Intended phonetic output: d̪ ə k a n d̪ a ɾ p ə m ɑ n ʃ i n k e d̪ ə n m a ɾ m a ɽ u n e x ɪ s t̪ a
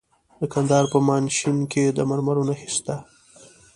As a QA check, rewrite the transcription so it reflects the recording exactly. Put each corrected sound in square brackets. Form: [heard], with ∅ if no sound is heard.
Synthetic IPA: d̪ ə k a n d̪ [ɑ] ɾ p ə m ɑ n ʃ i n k e d̪ ə [∅] m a ɾ m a [ɾ] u n [a] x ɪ s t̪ a